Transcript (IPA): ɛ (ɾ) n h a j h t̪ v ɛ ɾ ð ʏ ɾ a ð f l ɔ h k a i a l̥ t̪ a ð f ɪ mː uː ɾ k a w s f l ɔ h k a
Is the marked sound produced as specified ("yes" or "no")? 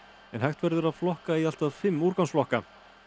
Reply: no